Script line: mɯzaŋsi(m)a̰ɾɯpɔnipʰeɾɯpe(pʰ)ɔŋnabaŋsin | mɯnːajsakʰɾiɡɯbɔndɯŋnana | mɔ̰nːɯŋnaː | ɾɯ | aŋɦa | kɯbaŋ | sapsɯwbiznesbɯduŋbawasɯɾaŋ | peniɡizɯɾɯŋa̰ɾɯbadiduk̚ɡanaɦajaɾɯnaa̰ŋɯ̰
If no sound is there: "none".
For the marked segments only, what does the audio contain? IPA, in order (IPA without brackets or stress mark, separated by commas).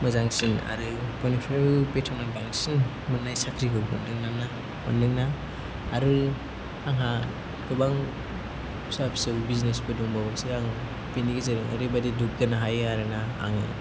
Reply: n, tʰ